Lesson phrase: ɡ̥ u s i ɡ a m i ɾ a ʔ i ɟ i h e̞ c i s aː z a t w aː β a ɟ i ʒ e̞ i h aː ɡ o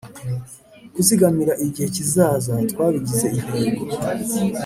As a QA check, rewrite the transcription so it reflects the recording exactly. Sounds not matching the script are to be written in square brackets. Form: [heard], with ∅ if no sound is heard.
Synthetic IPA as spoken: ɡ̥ u s i ɡ a m i ɾ a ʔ i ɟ i h e̞ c i [z] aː z a t w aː β [i] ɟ i [z] e̞ i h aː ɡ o